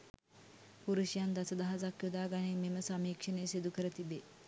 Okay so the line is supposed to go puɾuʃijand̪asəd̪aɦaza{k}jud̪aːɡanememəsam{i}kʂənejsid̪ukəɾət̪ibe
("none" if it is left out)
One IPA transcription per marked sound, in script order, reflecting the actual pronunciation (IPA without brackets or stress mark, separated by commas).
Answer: k, iː